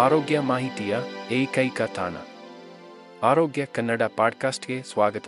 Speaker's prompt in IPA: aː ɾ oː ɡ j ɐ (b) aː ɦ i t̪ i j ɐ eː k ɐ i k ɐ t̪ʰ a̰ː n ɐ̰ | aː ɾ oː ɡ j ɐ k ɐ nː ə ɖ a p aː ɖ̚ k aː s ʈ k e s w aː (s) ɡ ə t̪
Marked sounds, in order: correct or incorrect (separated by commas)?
incorrect, incorrect